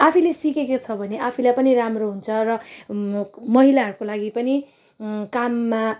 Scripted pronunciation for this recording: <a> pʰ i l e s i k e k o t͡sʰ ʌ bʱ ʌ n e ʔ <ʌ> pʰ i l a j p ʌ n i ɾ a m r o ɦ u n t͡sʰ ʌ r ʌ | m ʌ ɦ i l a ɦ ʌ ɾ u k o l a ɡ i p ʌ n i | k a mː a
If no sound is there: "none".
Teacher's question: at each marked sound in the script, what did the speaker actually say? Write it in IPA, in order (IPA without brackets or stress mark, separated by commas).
a, a